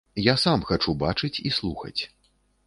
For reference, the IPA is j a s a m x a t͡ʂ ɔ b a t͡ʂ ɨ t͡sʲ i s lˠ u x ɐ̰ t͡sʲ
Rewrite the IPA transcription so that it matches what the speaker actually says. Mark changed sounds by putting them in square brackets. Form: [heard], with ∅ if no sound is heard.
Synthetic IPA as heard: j a s a m x a t͡ʂ [u] b a t͡ʂ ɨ t͡sʲ i s lˠ u x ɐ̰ t͡sʲ